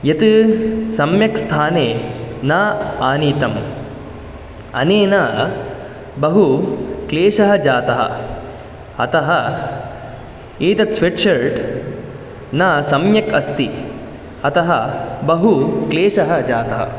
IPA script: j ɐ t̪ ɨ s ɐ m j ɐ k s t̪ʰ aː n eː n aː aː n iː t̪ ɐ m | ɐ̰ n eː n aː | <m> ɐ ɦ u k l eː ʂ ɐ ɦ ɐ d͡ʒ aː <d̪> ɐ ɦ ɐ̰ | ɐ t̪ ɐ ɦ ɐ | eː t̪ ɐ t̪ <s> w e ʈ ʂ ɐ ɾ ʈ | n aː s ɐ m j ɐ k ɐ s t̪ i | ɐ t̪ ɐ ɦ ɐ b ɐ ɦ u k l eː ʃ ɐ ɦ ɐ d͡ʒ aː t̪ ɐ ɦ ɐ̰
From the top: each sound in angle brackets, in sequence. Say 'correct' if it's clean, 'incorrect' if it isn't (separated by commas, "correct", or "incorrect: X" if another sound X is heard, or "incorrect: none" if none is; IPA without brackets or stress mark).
incorrect: b, incorrect: t̪, correct